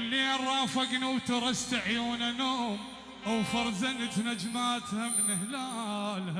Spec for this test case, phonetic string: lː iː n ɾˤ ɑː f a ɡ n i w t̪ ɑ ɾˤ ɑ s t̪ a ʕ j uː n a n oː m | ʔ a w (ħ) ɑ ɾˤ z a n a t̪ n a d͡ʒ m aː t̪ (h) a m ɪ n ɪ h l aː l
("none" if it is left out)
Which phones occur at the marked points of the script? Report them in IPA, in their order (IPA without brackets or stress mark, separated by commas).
f, h